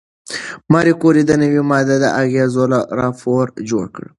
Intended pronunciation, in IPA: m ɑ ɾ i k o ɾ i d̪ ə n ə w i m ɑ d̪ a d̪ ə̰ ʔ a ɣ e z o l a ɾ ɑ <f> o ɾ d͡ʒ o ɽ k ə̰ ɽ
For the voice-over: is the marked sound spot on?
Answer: yes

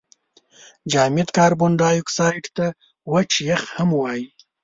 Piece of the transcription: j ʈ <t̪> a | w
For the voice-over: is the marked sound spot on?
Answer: yes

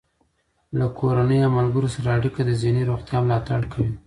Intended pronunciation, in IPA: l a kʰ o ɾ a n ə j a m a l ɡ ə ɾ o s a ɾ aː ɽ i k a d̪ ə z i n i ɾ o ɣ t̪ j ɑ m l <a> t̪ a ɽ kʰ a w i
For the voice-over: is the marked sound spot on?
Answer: no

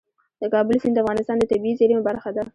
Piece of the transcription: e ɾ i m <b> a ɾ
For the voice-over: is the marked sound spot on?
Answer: yes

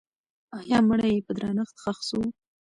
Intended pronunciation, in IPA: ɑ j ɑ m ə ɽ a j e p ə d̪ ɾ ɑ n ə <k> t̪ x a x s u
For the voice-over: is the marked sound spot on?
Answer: no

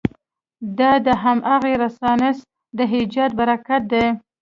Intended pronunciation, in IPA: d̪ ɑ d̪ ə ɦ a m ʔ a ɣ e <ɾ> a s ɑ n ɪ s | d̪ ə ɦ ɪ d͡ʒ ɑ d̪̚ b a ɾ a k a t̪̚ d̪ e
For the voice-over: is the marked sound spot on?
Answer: yes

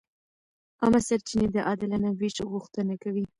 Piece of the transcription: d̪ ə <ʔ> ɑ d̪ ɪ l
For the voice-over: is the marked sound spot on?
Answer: yes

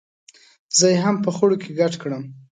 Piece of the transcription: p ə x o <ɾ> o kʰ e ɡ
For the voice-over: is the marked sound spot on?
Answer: no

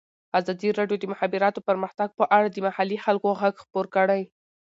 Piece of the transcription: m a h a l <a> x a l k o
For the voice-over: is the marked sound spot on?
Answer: no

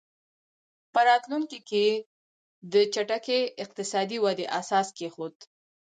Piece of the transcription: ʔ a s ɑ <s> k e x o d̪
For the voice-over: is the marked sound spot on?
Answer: yes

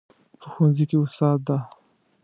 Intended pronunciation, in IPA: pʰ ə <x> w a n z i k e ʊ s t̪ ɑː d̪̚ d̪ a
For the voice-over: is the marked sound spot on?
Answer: yes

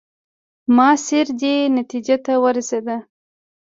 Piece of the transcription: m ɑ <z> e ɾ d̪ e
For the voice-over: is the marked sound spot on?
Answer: no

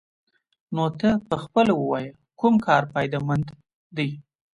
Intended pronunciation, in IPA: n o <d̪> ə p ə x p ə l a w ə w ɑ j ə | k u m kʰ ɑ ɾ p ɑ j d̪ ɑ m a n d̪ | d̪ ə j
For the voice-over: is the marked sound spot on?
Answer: no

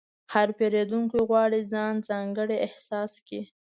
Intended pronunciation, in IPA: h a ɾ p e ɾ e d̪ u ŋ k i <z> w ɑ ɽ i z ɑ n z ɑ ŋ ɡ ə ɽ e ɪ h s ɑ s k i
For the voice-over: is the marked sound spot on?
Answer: no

